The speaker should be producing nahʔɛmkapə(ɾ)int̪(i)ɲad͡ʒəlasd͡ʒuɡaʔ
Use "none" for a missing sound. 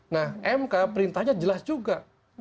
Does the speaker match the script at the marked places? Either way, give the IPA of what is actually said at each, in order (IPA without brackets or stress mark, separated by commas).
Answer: ɾ, a